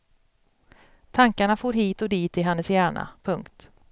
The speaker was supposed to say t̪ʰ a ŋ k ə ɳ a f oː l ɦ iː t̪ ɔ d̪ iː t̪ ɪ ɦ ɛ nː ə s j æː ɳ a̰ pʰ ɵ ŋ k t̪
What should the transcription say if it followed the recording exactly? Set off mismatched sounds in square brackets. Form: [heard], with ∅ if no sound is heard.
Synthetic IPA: t̪ʰ a ŋ k [a] ɳ a f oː [ɾ] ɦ iː t̪ ɔ d̪ iː t̪ ɪ ɦ ɛ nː ə s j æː ɳ a̰ pʰ ɵ ŋ k t̪